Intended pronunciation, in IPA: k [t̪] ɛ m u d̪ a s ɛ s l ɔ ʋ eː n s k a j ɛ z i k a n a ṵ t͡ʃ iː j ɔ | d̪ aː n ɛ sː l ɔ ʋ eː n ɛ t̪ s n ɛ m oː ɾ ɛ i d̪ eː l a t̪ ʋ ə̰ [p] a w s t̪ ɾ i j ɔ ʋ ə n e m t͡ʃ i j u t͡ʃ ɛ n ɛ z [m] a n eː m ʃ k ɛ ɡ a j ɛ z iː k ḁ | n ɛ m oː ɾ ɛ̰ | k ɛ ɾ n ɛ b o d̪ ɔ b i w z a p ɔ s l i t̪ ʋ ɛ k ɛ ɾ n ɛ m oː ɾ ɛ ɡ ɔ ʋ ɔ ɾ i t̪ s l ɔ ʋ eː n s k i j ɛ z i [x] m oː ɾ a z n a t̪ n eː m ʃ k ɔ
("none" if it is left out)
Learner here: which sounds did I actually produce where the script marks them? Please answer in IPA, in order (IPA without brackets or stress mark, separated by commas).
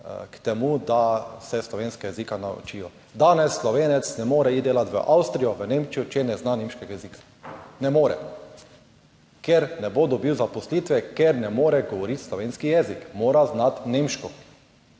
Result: t̪, ʔ, n, k